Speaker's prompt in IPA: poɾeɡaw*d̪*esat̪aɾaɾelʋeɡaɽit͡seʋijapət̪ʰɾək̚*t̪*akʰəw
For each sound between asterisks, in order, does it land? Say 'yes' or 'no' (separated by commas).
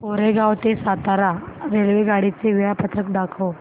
no, no